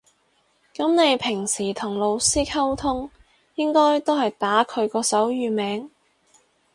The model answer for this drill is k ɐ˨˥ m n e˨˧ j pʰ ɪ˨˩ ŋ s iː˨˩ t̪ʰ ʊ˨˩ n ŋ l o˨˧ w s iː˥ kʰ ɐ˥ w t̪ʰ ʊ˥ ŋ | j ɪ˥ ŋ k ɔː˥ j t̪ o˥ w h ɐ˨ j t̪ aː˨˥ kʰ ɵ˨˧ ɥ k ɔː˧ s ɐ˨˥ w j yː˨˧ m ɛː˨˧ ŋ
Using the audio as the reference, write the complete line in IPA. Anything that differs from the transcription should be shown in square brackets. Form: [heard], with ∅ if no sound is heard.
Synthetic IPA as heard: k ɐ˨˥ m n e˨˧ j pʰ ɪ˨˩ ŋ s iː˨˩ t̪ʰ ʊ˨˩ [∅] ŋ l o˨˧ w s iː˥ kʰ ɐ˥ w t̪ʰ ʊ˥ ŋ | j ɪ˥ ŋ k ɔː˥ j t̪ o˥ w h ɐ˨ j t̪ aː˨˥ kʰ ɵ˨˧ ɥ k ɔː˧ s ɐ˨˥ w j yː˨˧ m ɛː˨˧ ŋ